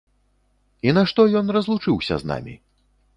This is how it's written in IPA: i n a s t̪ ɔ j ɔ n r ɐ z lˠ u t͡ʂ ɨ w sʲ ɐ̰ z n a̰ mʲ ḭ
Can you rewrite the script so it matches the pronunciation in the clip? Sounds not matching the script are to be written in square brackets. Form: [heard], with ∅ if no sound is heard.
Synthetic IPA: i n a [ʂ] t̪ ɔ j ɔ n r ɐ z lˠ u t͡ʂ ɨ w sʲ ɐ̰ z n a̰ mʲ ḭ